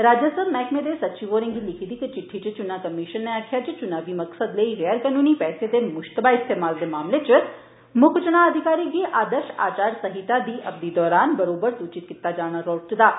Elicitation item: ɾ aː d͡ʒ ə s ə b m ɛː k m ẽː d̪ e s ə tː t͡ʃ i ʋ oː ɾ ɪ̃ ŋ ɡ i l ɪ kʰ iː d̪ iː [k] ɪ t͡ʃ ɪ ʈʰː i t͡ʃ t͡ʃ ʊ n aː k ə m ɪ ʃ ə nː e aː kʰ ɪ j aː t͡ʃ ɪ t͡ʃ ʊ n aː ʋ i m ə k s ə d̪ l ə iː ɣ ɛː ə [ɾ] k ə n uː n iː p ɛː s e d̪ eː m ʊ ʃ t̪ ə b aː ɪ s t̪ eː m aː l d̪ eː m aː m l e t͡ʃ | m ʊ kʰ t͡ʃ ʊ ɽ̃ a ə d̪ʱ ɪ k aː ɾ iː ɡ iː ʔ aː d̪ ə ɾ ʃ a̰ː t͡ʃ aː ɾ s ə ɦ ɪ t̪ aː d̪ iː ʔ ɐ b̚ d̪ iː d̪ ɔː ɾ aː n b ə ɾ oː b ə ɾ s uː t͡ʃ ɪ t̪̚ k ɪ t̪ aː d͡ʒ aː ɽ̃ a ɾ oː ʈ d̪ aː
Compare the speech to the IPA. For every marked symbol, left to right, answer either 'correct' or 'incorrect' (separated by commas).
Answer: correct, correct